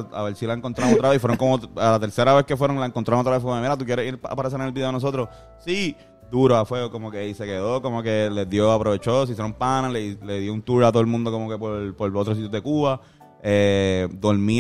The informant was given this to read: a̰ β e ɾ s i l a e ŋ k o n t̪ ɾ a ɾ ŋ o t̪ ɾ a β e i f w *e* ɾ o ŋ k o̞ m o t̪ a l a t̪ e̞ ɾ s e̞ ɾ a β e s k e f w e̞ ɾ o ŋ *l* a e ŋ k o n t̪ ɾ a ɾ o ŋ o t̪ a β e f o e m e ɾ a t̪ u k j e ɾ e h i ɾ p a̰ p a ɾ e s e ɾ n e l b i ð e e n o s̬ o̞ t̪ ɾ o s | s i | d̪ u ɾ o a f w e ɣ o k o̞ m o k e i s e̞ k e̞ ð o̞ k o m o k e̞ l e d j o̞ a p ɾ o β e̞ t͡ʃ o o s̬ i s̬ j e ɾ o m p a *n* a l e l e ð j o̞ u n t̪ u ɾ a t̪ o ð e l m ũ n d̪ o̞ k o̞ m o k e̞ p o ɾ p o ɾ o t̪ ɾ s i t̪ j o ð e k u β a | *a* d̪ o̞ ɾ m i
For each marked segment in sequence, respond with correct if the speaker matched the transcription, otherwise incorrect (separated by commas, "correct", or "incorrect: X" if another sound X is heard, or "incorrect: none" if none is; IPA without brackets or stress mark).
correct, correct, correct, incorrect: e